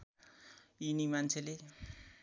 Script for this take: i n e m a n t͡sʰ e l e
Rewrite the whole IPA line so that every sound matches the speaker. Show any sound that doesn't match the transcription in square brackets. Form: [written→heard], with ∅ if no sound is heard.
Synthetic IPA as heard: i n [e→i] m a n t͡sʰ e l e